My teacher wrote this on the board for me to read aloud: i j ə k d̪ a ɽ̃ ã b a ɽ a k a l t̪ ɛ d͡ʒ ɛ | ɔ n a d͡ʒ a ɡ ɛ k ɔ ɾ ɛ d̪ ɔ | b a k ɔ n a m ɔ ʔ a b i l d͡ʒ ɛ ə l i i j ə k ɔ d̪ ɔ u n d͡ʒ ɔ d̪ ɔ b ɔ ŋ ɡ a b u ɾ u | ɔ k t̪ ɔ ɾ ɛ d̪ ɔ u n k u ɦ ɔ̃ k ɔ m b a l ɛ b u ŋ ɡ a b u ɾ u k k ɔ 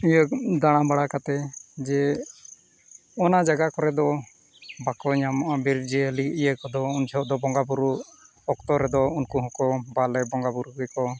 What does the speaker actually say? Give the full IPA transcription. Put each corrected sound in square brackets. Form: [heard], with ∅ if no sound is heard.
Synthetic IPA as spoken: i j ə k d̪ a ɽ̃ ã b a ɽ a k a [∅] t̪ ɛ d͡ʒ ɛ | ɔ n a d͡ʒ a ɡ [a] k ɔ ɾ ɛ d̪ ɔ | b a k ɔ [ɲ] a m ɔ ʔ a b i [ɾ] d͡ʒ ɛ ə l i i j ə k ɔ d̪ ɔ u n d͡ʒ ɔ d̪ ɔ b ɔ ŋ ɡ a b u ɾ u | ɔ k t̪ ɔ ɾ ɛ d̪ ɔ u n k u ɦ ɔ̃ k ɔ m b a l ɛ b [ɔ] ŋ ɡ a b u ɾ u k k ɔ